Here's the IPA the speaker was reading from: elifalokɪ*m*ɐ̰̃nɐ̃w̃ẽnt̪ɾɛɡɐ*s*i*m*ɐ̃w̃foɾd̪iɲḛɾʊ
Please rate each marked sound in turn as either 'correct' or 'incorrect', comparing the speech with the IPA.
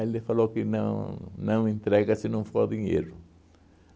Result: incorrect, correct, incorrect

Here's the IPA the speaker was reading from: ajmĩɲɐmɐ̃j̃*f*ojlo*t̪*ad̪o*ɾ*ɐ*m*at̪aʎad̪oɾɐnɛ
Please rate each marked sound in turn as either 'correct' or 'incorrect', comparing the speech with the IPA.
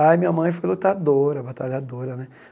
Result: correct, correct, correct, incorrect

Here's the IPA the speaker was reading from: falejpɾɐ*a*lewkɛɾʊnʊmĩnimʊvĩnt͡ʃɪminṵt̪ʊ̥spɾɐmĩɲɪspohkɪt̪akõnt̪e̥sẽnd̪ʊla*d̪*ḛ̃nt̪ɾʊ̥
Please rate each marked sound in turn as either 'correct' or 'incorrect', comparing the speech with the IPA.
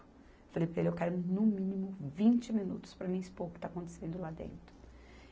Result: incorrect, correct

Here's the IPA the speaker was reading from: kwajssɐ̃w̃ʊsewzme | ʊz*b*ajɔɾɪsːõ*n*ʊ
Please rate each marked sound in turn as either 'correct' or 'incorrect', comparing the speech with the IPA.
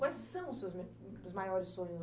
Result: incorrect, incorrect

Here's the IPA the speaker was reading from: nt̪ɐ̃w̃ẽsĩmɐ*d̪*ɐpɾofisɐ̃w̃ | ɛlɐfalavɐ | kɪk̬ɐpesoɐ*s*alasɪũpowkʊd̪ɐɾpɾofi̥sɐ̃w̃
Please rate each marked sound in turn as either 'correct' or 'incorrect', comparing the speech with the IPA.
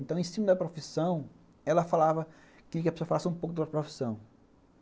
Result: correct, incorrect

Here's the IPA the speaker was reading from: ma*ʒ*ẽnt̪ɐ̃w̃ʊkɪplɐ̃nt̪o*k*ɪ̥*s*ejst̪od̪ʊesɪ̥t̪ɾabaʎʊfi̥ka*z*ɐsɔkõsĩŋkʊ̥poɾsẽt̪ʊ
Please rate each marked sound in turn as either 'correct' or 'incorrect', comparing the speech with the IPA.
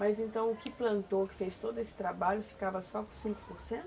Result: incorrect, correct, incorrect, incorrect

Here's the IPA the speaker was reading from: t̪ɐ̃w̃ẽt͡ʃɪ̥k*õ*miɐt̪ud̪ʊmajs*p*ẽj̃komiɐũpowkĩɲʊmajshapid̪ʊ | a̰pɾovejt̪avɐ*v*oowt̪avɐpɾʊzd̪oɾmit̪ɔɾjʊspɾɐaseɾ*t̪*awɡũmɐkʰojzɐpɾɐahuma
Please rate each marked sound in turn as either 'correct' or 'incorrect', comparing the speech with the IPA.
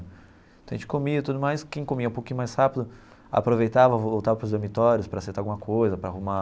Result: incorrect, incorrect, correct, correct

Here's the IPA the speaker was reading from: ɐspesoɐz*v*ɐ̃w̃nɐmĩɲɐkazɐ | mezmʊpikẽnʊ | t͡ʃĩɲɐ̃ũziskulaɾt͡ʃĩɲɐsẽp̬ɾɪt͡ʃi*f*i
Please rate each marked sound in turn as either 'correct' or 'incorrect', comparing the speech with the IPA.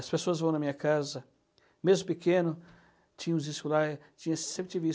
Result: correct, incorrect

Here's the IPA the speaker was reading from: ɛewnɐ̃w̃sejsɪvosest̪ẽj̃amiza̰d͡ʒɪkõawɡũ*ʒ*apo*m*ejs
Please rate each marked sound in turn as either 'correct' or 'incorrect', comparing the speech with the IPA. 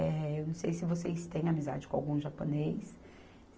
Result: correct, incorrect

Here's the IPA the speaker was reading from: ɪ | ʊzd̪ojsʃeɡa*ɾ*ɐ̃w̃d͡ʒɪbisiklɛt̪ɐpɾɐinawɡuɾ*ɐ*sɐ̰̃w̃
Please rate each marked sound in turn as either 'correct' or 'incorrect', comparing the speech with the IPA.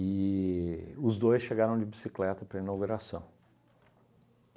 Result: correct, incorrect

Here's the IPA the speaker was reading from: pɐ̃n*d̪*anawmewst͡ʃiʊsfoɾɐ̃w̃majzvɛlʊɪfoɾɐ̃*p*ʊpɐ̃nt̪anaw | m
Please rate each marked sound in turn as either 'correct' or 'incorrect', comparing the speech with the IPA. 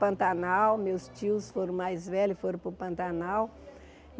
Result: incorrect, correct

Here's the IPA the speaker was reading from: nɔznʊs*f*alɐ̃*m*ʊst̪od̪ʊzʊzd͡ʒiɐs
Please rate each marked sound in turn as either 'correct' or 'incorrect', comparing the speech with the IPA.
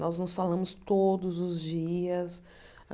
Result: correct, correct

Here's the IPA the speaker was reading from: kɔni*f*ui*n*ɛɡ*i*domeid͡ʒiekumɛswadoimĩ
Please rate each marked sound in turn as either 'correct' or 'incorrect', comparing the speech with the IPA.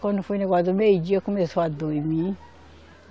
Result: correct, correct, incorrect

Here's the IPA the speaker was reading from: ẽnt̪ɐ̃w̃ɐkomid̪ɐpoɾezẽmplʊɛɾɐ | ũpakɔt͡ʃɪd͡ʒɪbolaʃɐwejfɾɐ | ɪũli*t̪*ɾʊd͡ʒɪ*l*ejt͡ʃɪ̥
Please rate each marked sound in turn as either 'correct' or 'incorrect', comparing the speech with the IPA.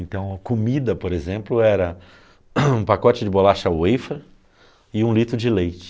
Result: correct, correct

